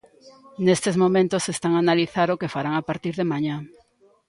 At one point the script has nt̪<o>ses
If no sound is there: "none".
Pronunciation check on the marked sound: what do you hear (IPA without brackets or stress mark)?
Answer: o